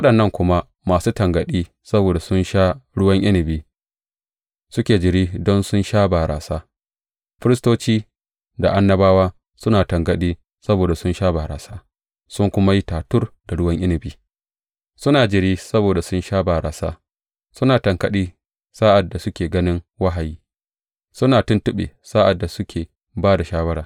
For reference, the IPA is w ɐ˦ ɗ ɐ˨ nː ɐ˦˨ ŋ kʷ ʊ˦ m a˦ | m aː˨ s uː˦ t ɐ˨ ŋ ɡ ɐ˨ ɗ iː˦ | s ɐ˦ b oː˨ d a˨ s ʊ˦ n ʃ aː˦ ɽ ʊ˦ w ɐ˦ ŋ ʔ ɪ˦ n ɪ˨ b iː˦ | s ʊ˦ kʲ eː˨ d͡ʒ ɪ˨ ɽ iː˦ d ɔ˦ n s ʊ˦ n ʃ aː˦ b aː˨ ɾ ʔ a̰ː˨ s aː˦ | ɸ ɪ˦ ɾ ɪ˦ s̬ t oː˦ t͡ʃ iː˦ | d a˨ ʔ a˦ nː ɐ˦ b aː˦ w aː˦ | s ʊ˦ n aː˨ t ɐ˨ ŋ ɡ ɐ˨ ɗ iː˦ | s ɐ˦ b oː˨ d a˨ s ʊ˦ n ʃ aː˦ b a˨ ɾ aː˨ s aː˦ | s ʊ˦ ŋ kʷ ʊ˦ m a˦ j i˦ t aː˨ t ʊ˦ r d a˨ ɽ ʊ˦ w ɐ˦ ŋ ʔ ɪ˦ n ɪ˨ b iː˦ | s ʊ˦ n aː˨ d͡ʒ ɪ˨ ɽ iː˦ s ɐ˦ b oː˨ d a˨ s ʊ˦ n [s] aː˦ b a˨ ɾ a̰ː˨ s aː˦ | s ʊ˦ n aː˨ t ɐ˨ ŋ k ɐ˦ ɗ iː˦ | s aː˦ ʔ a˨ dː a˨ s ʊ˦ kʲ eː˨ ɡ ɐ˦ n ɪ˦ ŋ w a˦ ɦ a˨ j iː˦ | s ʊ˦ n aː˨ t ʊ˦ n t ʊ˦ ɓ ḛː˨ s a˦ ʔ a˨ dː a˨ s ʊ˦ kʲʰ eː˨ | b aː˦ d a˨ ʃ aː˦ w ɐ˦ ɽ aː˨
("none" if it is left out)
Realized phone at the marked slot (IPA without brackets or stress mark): ʃ